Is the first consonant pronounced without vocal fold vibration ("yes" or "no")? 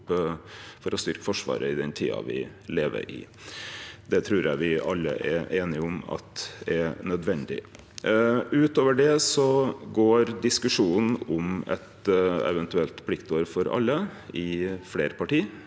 yes